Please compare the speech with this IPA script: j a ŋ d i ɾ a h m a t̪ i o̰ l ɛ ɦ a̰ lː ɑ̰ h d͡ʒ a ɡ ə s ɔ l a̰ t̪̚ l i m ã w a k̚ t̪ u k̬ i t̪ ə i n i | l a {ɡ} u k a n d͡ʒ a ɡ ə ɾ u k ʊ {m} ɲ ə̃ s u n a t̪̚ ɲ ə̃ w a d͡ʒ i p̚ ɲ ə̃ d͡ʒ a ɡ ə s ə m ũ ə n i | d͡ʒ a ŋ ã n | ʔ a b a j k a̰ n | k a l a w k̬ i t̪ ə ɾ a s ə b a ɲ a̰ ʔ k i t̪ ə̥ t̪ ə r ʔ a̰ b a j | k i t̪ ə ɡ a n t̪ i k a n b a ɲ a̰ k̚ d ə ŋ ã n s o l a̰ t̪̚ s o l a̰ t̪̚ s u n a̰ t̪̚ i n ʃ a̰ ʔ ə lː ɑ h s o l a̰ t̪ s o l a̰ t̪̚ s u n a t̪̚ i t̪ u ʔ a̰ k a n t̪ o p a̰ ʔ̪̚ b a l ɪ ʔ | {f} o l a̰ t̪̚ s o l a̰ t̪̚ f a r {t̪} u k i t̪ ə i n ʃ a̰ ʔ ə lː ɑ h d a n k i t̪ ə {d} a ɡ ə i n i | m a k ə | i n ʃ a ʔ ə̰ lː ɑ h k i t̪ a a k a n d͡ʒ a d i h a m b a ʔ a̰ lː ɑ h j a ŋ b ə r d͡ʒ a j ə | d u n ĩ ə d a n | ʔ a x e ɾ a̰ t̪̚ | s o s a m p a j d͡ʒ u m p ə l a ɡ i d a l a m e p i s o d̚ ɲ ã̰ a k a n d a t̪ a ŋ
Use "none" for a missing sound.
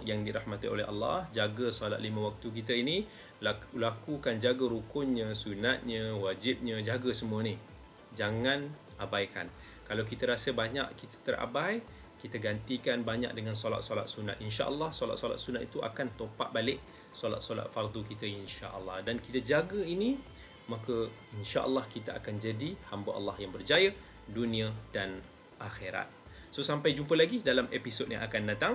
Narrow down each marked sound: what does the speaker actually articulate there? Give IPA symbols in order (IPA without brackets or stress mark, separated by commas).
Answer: k, n, s, d̪, d͡ʒ